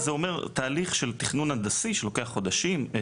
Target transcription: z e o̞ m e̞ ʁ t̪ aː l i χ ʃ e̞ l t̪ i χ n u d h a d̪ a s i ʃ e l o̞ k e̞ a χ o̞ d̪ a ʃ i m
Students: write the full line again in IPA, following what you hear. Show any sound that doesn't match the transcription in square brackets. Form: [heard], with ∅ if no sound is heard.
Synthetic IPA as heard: z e o̞ m e̞ ʁ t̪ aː l i χ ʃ e̞ l t̪ i χ n u [n] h a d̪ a s i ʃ e l o̞ k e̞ a χ o̞ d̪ a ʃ i m